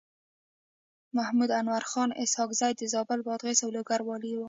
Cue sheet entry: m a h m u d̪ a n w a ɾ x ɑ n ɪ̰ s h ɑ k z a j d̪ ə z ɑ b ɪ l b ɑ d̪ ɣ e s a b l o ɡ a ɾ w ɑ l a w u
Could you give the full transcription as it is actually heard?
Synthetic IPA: m a h m u d̪ a n w a ɾ x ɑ n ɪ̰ s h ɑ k z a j d̪ ə z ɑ b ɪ l b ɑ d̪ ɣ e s a w l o ɡ a ɾ w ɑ l i w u